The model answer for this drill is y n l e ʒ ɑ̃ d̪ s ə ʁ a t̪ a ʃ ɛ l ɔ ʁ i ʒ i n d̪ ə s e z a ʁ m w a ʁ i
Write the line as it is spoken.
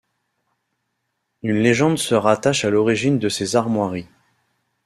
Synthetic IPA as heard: y n l e ʒ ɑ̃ d̪ s ə ʁ a t̪ a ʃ a l ɔ ʁ i ʒ i n d̪ ə s e z a ʁ m w a ʁ i